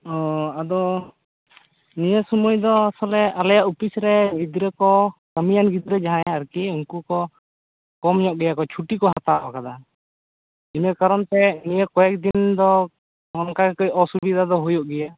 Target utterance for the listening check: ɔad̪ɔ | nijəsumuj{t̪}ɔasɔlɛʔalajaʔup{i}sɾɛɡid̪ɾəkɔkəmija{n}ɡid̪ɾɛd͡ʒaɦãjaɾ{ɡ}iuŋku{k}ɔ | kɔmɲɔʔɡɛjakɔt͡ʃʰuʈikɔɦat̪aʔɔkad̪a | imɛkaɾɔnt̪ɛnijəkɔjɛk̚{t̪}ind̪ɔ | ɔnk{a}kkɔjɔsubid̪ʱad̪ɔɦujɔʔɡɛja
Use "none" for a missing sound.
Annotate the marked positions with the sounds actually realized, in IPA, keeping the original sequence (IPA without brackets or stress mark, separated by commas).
d̪, i, n, k, k, d̪, a